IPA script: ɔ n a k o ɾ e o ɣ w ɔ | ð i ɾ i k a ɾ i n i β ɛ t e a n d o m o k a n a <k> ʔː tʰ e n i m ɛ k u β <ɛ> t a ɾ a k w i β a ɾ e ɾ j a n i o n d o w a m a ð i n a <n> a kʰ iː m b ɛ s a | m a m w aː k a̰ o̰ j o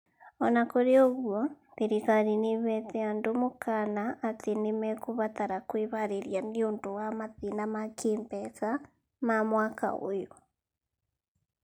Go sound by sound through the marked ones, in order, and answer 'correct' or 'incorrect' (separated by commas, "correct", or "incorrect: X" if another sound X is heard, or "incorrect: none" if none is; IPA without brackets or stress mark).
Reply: incorrect: none, incorrect: a, incorrect: m